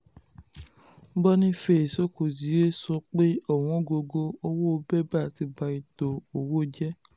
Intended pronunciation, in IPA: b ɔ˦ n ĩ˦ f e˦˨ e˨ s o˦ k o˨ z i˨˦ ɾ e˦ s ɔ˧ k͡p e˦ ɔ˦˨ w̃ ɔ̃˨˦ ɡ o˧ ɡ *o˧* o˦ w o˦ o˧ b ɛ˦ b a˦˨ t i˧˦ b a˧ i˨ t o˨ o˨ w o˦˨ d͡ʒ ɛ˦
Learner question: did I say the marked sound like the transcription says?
yes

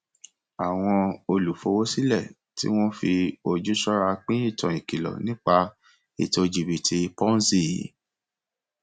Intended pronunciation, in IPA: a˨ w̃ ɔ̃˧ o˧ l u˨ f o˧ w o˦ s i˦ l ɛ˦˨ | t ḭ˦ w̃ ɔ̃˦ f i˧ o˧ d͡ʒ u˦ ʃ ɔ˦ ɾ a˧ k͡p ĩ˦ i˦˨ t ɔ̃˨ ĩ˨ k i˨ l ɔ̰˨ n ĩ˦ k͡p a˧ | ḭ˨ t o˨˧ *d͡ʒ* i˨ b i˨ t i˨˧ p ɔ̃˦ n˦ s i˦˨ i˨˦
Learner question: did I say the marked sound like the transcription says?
yes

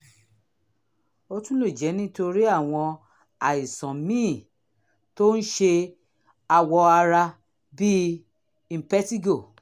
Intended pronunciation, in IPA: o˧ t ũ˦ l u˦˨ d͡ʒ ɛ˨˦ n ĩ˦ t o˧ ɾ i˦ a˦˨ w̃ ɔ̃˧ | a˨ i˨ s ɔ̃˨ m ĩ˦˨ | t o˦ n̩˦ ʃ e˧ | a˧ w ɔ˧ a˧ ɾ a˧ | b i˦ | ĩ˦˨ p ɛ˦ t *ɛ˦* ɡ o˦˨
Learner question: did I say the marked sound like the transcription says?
no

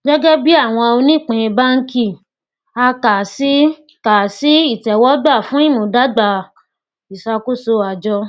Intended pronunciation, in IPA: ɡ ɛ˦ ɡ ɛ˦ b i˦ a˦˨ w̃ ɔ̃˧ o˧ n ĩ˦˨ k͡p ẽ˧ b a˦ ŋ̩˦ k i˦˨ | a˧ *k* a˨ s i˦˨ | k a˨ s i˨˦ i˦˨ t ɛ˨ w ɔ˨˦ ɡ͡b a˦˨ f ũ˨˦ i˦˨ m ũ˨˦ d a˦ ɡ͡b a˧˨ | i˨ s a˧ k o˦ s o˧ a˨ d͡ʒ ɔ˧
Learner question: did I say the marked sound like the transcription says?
yes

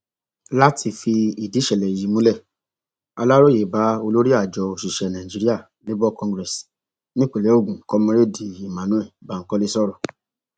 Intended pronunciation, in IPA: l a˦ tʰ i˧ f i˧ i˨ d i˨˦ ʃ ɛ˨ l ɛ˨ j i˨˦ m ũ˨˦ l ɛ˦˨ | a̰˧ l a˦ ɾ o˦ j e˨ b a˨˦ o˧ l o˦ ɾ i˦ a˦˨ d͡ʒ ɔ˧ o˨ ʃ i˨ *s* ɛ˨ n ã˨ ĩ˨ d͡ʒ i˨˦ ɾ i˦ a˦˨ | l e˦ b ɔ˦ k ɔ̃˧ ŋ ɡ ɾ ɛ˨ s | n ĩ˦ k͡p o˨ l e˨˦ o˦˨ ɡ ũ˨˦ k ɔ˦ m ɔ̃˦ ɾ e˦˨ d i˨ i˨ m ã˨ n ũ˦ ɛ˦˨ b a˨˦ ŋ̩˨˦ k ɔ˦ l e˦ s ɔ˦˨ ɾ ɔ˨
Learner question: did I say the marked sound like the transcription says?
no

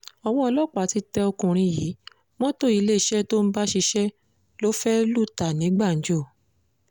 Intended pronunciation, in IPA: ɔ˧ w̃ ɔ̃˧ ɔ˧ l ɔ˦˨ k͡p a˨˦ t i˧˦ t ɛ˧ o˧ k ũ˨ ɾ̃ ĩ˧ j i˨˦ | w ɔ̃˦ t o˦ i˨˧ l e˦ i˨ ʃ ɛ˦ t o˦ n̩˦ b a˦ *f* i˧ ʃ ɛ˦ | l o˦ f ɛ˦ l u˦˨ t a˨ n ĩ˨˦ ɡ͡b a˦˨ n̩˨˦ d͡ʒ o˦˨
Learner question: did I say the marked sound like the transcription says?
no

